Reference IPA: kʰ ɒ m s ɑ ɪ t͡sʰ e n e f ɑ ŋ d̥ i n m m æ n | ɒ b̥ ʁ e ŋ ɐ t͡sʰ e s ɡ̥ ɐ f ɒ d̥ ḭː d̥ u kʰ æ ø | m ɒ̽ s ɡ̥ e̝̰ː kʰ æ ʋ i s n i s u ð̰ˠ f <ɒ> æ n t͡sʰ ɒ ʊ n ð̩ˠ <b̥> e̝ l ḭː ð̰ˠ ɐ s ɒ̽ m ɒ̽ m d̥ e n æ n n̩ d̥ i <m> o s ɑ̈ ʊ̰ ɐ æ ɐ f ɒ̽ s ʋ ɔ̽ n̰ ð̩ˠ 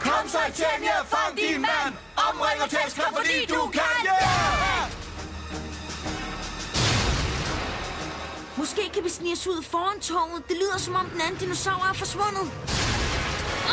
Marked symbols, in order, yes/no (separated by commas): no, no, no